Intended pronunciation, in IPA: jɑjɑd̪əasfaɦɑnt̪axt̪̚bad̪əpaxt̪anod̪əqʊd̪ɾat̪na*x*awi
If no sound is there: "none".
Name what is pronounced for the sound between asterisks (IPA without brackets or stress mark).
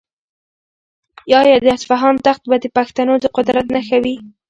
x